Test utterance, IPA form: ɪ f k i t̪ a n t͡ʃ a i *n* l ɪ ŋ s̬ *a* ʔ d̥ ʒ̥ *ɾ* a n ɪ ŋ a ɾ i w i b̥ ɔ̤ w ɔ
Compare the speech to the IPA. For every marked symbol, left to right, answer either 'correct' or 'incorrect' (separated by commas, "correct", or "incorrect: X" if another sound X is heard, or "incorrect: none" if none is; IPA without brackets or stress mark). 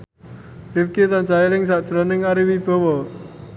incorrect: none, correct, correct